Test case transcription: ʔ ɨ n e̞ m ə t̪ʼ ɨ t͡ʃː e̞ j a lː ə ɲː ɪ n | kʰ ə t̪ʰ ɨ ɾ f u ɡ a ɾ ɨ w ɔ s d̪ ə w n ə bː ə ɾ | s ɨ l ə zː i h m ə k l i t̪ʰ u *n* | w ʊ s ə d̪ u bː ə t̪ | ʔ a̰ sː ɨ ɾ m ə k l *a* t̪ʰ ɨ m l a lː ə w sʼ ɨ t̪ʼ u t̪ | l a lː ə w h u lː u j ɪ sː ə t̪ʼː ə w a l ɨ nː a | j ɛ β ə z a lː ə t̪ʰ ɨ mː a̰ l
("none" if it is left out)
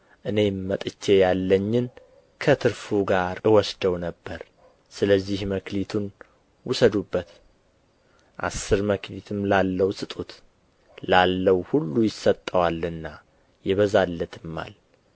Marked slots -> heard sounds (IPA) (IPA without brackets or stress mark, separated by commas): n, i